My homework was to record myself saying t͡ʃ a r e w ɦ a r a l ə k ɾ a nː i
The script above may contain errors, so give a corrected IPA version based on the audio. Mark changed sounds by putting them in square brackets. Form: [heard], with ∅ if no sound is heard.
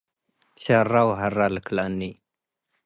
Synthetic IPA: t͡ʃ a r [a] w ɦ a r a l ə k [l] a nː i